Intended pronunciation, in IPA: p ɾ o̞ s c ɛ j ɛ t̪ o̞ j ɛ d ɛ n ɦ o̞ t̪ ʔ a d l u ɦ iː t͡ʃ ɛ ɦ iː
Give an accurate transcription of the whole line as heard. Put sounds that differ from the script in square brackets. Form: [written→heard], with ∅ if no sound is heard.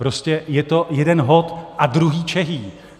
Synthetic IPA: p ɾ o̞ s c ɛ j ɛ t̪ o̞ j ɛ d ɛ n ɦ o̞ t̪ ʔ a d [l→ɾ] u ɦ iː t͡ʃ ɛ ɦ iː